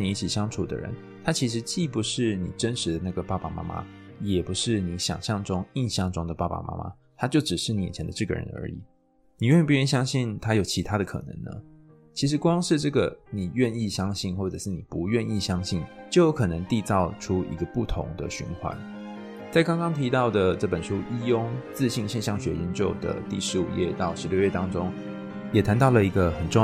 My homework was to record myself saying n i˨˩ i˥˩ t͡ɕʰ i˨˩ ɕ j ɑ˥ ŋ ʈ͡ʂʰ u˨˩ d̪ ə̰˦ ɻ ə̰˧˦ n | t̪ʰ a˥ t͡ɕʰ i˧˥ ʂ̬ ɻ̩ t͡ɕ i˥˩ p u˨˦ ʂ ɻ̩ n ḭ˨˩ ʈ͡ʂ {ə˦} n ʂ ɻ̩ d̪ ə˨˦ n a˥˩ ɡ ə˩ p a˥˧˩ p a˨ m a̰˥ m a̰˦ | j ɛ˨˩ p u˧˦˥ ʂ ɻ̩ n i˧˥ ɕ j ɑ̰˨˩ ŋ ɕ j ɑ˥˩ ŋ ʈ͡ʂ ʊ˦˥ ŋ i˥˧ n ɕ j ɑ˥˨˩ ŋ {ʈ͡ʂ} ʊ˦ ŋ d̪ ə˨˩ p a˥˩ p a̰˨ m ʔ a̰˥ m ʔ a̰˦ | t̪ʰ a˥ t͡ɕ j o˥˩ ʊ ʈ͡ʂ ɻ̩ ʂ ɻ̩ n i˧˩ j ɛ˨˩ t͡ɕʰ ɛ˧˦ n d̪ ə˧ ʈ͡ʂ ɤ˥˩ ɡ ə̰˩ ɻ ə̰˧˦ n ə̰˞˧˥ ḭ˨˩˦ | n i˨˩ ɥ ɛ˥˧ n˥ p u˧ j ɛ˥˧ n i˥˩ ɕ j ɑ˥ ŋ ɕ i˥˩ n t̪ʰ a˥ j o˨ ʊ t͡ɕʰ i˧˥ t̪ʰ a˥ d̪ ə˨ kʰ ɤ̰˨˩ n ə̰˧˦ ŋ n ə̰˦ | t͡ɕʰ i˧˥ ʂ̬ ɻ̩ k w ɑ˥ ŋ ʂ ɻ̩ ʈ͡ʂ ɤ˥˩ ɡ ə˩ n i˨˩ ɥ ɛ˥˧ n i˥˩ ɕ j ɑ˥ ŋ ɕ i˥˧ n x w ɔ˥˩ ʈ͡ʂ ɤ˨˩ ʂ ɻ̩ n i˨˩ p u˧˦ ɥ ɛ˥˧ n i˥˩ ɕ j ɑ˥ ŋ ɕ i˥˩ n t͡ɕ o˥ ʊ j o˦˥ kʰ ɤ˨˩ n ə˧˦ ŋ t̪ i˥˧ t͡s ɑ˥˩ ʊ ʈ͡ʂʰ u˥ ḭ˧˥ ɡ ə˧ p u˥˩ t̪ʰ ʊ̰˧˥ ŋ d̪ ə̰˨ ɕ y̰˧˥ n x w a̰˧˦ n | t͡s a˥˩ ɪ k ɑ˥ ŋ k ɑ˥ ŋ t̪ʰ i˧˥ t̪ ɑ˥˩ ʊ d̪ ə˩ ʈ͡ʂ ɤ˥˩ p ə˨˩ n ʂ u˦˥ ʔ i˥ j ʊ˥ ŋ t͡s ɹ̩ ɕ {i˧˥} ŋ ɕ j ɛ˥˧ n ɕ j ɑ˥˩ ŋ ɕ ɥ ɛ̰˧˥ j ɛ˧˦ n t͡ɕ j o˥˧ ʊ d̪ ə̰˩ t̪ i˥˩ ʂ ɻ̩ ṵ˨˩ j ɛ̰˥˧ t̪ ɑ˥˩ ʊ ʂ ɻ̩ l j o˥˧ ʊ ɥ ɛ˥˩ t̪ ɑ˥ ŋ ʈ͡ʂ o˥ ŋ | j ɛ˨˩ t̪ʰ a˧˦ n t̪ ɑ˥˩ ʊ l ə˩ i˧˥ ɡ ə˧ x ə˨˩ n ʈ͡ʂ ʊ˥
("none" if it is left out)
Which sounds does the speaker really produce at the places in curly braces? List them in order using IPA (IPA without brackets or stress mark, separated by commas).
ə˦, ʈ͡ʂ, i˥˧